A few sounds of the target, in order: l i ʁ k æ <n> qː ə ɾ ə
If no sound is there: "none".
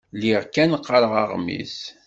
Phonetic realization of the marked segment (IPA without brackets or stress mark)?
n